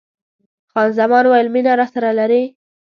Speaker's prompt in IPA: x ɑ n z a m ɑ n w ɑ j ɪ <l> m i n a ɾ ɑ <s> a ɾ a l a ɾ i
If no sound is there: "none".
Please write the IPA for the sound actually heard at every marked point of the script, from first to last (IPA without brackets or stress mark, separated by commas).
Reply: l, s